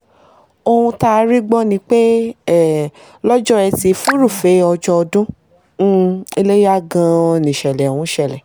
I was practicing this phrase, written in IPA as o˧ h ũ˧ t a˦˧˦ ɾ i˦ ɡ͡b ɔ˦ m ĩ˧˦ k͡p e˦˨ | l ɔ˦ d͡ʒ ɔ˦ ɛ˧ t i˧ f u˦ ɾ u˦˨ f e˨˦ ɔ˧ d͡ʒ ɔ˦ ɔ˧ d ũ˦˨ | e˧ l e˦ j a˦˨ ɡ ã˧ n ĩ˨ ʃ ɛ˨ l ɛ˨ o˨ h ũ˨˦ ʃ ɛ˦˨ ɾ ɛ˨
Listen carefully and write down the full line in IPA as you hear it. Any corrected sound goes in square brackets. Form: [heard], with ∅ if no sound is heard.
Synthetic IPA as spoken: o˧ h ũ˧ t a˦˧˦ ɾ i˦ ɡ͡b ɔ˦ [n] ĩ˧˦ k͡p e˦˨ | l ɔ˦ d͡ʒ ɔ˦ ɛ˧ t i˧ f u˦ ɾ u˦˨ f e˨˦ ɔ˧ d͡ʒ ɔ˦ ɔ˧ d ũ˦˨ | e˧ l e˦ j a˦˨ ɡ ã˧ n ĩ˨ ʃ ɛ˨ l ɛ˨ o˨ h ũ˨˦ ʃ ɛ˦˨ [l] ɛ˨